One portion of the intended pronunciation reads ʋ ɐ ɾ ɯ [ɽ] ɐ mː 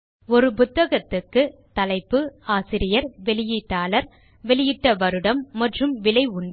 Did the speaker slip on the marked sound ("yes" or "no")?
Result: no